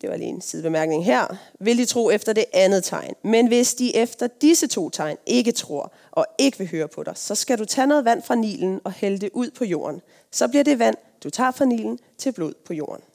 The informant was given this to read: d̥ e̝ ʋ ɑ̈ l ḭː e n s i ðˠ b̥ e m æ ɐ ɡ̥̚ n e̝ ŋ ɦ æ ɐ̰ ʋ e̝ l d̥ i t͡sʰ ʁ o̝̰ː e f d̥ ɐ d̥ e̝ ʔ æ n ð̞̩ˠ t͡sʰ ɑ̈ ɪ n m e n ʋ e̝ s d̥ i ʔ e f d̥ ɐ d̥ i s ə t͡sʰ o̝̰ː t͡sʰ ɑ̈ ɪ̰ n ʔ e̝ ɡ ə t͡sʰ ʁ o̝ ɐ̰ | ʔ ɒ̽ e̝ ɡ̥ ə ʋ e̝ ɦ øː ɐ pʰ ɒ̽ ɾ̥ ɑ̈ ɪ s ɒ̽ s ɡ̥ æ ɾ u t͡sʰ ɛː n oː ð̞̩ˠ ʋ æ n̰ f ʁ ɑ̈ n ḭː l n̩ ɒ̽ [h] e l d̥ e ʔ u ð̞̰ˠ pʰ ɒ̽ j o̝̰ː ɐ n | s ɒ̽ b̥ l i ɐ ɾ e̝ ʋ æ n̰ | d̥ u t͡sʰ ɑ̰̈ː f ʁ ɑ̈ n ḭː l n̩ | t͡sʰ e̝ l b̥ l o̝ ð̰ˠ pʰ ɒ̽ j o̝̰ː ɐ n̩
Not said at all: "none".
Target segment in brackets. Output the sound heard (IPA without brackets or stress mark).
h